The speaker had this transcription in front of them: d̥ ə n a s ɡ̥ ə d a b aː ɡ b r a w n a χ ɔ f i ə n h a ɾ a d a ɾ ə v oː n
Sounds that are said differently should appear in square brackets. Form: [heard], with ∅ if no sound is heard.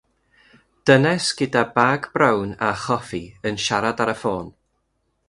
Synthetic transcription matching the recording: d̥ ə n [ɛ] s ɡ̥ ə d a b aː ɡ b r a w n a χ ɔ f i ə n [ʃ] a ɾ a d a ɾ ə [f] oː n